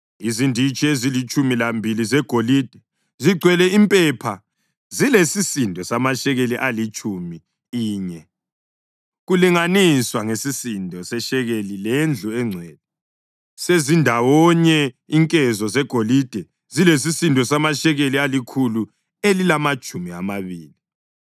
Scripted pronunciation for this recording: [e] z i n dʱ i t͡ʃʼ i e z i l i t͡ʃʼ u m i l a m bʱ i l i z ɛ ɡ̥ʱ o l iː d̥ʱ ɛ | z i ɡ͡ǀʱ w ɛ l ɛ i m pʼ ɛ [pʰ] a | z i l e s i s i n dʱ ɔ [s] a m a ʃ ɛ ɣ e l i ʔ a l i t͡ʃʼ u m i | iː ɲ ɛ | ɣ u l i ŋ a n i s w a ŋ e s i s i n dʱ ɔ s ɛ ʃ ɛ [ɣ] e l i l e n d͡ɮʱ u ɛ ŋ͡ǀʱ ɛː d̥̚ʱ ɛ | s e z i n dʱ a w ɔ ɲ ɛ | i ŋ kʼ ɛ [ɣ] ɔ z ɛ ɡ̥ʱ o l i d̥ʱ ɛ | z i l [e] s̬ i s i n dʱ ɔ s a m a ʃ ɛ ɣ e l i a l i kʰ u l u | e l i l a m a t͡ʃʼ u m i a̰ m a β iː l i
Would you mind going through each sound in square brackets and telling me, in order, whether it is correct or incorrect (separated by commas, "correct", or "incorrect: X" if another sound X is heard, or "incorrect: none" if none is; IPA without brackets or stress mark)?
incorrect: i, correct, correct, correct, incorrect: z, correct